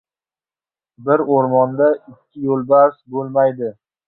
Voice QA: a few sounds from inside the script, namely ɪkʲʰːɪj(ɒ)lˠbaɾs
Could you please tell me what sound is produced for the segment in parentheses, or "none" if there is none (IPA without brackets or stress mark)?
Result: o